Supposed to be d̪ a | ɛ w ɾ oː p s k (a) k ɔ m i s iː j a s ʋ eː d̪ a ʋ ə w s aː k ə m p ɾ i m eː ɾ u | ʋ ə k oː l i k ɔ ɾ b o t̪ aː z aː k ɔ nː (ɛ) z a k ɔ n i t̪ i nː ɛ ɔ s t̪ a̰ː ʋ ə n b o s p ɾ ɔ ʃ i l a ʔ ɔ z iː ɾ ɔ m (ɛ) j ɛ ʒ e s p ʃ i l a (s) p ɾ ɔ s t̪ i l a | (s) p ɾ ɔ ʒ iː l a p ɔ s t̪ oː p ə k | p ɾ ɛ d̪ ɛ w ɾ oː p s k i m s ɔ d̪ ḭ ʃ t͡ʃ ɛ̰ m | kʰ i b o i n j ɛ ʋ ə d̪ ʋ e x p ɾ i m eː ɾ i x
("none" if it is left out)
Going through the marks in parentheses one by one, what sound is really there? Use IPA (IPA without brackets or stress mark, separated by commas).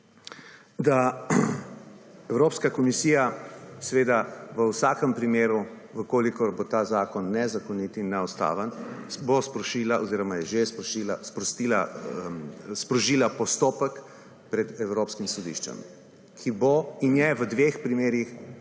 a, ɛ, a, s, s